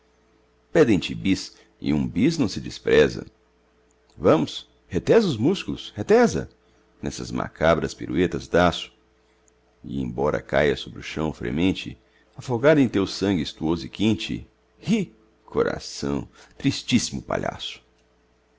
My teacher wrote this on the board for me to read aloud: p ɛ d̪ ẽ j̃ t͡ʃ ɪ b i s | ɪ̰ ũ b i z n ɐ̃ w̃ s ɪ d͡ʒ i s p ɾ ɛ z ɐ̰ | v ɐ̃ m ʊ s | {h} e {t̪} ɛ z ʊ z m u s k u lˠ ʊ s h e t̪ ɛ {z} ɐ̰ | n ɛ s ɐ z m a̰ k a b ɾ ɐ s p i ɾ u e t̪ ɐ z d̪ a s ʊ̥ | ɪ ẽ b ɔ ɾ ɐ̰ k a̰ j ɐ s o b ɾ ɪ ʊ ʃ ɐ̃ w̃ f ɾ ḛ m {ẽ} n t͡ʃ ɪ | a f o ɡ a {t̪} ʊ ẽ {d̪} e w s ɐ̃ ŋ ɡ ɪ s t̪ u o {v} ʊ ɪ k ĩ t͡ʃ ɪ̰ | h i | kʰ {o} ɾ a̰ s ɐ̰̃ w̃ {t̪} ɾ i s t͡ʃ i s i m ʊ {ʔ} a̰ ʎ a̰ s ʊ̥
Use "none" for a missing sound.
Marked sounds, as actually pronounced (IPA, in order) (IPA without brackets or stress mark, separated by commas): h, t̪, z, ẽ, d̪, t̪, z, o, t̪, p